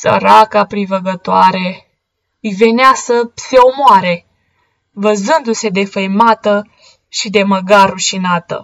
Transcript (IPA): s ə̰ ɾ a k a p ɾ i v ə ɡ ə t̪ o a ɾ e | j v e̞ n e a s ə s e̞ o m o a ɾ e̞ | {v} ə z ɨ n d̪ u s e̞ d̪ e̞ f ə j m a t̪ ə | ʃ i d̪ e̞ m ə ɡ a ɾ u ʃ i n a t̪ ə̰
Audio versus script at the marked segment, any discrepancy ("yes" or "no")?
no